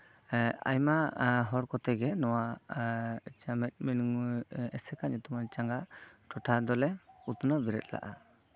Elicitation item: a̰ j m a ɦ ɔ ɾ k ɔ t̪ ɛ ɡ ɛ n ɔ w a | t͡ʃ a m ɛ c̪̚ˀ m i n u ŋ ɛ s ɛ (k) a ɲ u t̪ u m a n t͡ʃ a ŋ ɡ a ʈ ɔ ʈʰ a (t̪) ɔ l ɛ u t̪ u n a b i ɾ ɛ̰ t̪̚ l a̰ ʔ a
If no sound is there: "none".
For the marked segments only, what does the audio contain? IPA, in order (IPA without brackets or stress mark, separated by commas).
k, d̪